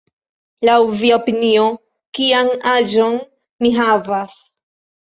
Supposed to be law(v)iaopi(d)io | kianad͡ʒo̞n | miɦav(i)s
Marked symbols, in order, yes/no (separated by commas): yes, no, no